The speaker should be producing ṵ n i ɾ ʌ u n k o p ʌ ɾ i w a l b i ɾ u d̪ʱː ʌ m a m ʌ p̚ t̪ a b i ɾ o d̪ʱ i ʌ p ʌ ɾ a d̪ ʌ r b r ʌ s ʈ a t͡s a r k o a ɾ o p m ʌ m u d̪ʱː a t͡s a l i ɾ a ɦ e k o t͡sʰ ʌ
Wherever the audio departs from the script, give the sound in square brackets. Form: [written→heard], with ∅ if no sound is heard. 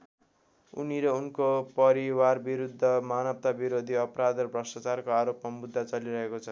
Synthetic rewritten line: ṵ n i ɾ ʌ u n k o p ʌ ɾ i w a [l→r] b i ɾ u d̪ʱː ʌ m a [m→n] ʌ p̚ t̪ a b i ɾ o d̪ʱ i ʌ p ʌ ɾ a d̪ ʌ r b r ʌ s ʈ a t͡s a r k o a ɾ o p m [ʌ→a] m u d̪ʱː a t͡s [a→ʌ] l i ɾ [a→ʌ] ɦ e k o t͡sʰ ʌ